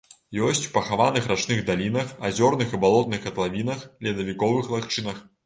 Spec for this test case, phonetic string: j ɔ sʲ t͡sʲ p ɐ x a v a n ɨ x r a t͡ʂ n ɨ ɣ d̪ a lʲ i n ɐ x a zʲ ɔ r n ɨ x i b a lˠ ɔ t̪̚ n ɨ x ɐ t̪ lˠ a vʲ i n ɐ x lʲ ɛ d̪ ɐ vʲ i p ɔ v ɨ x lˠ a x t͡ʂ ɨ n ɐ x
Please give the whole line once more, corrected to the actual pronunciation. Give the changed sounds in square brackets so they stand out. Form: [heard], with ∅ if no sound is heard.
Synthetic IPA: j ɔ sʲ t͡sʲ p ɐ x a v a n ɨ x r a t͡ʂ n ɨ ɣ d̪ a lʲ i n ɐ x a zʲ ɔ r n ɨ x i b a lˠ ɔ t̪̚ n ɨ x ɐ t̪ lˠ a vʲ i n ɐ x lʲ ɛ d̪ ɐ vʲ i [k] ɔ v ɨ x lˠ a x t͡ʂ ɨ n ɐ x